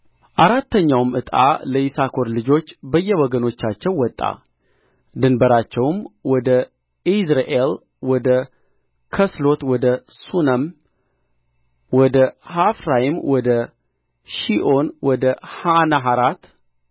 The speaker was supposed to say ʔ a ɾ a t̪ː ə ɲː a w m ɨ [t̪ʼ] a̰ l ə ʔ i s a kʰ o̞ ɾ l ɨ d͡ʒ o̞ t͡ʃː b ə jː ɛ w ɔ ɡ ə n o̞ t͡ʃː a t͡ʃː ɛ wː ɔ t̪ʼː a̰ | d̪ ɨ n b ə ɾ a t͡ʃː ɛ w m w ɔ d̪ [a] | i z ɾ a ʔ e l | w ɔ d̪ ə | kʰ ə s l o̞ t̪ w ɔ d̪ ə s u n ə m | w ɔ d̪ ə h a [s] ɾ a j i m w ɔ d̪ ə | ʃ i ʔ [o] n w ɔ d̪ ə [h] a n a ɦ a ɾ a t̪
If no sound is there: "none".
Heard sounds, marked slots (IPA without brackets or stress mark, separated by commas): t̪ʼ, ə, f, o, h